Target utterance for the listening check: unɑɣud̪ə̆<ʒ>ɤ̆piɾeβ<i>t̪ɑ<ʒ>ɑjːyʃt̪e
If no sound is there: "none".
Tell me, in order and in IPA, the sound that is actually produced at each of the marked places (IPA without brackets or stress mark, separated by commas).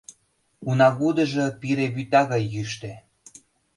ʒ, y, ɣ